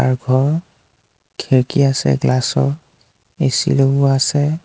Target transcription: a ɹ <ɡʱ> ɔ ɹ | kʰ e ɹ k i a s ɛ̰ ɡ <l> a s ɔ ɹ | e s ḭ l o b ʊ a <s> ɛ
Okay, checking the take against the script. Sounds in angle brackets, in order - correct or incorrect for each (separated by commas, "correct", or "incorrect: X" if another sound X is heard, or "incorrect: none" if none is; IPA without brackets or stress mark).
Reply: correct, correct, correct